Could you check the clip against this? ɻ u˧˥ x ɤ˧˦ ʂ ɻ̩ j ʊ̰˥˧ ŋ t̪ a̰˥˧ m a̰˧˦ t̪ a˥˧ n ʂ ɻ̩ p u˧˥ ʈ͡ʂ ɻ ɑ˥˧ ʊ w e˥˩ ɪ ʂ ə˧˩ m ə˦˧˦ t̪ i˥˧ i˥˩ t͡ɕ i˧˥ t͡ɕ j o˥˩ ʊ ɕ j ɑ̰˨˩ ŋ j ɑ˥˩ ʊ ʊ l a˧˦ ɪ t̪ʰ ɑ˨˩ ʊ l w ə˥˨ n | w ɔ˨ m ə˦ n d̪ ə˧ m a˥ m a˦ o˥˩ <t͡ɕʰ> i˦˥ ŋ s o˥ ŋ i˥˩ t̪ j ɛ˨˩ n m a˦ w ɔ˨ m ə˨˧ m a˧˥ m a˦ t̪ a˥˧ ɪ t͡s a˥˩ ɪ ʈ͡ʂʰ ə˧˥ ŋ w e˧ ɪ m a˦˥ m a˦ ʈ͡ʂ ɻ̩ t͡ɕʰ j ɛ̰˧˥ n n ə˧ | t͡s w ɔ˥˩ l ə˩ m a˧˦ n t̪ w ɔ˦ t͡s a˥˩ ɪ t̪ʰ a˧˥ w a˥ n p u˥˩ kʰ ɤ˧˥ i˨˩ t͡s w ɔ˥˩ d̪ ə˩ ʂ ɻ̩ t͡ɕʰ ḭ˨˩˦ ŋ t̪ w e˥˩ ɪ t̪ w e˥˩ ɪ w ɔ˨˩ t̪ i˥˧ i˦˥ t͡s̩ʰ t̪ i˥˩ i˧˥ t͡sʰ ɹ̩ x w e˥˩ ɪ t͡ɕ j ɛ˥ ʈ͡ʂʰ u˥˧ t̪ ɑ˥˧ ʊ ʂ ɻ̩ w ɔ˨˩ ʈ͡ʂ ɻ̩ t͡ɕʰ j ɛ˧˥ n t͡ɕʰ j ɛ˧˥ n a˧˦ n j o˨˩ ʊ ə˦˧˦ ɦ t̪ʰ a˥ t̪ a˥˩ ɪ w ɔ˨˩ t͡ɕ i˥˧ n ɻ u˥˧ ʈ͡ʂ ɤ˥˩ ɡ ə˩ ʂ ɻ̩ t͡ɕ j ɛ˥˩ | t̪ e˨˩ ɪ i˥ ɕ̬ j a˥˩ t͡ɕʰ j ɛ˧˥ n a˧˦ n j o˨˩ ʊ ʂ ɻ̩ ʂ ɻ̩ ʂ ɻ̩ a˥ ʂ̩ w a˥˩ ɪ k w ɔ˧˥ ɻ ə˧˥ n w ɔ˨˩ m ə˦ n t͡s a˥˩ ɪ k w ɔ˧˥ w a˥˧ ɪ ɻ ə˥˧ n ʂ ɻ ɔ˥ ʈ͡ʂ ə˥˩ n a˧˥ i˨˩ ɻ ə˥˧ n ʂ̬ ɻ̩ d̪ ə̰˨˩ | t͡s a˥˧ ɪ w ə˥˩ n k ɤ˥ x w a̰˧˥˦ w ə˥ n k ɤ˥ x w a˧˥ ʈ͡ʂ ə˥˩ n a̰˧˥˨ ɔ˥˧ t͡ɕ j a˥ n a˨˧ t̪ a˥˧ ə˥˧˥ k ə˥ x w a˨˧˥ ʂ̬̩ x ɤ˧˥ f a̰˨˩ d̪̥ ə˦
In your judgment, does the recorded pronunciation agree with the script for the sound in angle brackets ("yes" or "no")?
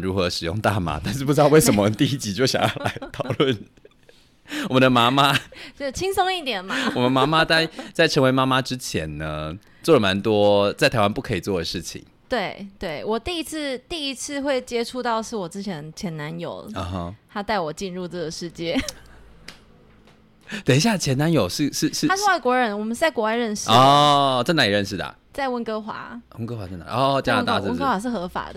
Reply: yes